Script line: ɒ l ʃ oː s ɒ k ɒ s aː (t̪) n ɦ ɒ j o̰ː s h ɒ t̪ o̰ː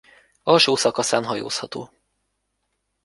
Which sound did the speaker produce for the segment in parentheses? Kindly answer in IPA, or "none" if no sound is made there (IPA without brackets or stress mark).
none